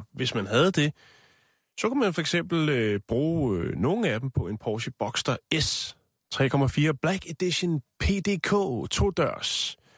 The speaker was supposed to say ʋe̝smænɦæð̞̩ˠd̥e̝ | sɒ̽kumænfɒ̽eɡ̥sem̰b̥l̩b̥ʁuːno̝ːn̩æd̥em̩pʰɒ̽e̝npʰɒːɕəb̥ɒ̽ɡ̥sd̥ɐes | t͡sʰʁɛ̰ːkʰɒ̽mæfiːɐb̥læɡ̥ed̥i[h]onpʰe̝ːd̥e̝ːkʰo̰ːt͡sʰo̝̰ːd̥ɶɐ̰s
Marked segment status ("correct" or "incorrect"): incorrect